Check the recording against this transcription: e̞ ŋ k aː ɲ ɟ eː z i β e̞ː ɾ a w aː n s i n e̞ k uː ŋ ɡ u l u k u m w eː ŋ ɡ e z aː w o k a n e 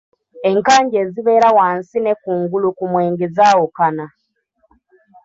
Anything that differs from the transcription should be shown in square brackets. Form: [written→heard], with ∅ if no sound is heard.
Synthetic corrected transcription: e̞ ŋ k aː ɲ ɟ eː z i β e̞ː ɾ a w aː n s i n e̞ k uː ŋ ɡ u l u k u m w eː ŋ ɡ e z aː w o k a n [e→a]